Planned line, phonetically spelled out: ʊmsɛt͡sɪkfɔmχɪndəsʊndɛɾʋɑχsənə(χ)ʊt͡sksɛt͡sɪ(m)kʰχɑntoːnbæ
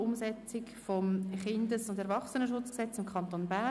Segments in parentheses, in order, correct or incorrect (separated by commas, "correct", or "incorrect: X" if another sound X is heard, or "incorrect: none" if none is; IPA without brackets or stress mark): incorrect: ʃ, correct